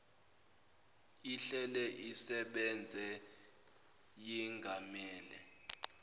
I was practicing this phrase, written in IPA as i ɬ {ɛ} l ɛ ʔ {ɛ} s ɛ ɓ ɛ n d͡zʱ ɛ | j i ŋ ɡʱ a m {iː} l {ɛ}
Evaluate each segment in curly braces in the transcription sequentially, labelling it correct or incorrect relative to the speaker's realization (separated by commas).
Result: correct, incorrect, incorrect, correct